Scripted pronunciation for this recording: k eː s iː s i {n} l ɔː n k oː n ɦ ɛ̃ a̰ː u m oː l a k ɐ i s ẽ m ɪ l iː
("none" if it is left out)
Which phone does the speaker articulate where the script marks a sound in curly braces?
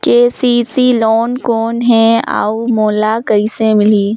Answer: none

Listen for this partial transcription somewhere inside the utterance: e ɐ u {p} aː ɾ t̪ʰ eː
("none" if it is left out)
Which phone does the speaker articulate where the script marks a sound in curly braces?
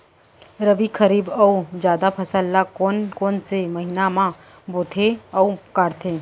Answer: k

